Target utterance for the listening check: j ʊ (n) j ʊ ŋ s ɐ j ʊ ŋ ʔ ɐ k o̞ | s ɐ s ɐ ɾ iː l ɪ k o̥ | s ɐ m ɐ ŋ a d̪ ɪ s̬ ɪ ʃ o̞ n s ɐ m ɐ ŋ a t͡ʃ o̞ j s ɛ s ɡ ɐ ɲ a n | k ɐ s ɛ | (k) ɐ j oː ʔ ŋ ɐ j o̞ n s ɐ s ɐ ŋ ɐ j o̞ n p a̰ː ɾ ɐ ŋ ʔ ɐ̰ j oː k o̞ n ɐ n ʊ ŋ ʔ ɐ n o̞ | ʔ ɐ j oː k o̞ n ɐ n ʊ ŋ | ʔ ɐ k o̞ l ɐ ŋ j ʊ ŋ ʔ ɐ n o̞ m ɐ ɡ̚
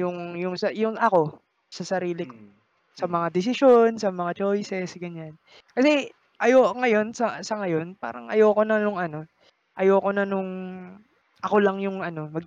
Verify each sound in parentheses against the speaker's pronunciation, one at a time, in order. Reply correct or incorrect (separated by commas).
incorrect, incorrect